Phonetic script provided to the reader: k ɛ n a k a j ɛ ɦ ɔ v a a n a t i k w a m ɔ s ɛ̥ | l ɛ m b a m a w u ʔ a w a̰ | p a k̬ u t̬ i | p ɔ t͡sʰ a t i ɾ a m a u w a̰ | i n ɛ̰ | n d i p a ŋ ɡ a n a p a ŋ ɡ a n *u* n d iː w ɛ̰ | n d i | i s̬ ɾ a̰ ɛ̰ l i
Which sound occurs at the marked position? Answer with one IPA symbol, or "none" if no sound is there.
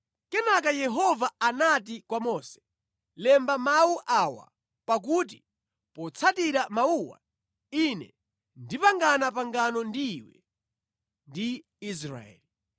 ɔ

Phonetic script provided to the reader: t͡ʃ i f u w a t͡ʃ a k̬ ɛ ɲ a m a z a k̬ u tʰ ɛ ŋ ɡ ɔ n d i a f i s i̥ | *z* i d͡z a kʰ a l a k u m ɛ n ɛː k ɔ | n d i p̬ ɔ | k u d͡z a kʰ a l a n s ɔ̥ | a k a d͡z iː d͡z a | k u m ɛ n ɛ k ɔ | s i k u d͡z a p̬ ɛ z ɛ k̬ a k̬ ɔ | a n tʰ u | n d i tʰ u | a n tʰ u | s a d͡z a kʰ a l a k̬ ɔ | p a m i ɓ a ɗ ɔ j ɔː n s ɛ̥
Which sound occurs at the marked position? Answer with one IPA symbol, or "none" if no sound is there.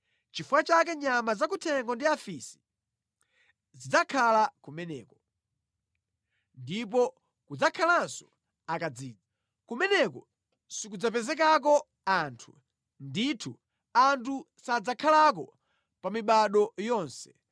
z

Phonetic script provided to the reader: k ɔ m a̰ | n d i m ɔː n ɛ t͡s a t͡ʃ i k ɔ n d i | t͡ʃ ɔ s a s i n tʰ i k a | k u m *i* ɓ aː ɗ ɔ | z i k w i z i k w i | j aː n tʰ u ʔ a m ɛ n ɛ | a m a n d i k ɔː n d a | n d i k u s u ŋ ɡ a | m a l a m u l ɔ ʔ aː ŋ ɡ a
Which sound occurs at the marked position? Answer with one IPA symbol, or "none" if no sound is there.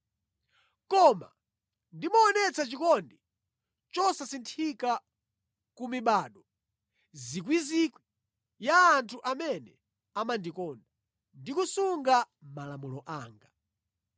i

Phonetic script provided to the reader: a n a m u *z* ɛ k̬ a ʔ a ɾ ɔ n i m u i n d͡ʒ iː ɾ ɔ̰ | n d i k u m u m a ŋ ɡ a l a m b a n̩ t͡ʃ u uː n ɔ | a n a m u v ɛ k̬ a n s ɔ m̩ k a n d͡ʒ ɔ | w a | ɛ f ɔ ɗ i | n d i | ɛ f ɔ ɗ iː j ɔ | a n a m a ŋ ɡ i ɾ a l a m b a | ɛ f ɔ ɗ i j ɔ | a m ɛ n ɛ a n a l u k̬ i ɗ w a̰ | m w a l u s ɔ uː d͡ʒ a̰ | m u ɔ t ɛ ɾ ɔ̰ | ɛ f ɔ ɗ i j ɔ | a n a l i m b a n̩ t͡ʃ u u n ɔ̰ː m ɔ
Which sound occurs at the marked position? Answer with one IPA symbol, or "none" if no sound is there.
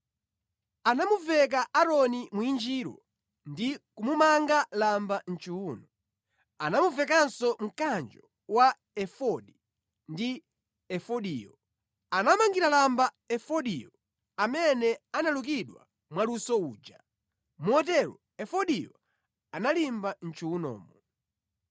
v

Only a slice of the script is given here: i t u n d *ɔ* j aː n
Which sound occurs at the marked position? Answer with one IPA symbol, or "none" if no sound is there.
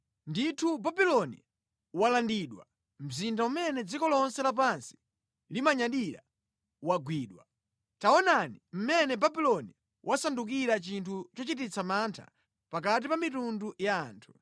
u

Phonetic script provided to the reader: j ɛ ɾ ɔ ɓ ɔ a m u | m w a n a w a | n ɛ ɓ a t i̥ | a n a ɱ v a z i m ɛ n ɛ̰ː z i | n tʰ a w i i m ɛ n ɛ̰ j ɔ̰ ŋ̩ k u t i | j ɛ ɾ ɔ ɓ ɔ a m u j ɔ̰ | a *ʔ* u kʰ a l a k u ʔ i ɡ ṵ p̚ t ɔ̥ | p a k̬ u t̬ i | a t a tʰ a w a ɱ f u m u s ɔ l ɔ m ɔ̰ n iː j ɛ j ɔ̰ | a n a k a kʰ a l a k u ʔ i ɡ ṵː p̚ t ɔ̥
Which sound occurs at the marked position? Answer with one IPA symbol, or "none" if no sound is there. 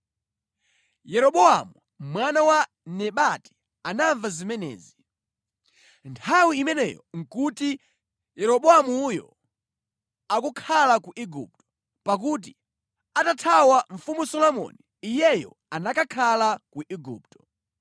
k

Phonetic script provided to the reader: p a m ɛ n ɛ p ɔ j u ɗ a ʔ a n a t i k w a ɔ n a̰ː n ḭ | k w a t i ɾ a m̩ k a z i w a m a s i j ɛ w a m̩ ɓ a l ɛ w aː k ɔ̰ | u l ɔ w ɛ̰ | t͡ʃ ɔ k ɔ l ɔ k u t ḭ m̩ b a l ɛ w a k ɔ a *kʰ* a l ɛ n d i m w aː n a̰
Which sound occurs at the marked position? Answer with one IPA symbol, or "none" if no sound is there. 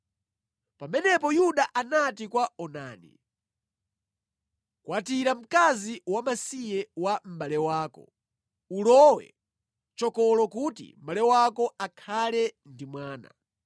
kʰ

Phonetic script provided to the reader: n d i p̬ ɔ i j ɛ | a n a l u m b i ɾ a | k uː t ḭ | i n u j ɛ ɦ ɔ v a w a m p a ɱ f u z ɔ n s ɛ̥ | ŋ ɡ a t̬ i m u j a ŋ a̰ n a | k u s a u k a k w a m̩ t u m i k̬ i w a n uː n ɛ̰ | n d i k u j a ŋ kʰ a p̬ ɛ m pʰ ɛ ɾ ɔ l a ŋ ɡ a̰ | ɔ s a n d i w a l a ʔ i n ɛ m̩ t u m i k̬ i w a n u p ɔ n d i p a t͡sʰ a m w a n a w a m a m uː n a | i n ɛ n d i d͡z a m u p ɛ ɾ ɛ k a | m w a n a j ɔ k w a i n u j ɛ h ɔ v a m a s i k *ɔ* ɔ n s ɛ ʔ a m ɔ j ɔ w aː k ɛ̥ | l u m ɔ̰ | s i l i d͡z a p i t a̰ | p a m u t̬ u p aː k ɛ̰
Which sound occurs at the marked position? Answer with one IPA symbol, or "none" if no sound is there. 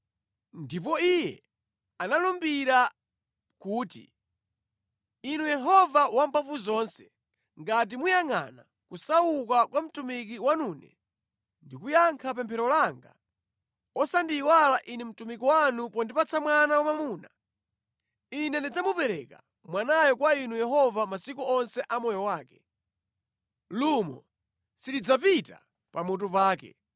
u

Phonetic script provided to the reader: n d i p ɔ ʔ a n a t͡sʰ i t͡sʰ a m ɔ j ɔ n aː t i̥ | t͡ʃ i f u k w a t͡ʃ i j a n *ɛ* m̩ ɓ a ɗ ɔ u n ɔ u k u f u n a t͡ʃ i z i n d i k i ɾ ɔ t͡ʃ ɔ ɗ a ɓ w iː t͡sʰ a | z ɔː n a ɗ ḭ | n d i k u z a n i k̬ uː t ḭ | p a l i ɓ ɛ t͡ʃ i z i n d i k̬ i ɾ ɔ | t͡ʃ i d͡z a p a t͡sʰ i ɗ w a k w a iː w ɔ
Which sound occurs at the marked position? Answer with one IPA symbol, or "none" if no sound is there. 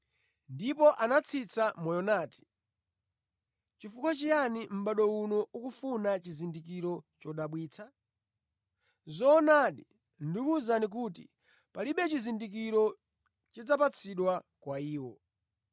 i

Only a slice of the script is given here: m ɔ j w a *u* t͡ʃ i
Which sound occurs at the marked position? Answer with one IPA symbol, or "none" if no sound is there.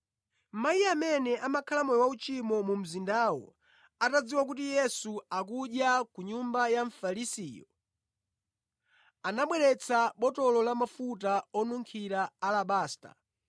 u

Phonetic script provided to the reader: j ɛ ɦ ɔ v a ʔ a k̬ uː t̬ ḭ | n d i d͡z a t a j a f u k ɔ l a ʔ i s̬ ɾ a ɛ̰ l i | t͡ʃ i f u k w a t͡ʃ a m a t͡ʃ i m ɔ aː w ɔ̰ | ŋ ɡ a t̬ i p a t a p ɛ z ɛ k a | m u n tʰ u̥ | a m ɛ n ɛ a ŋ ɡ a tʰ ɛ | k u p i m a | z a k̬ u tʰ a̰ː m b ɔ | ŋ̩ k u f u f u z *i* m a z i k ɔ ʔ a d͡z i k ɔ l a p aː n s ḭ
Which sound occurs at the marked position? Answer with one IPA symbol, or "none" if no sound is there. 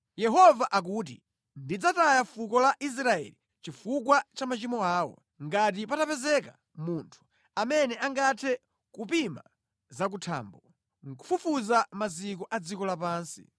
a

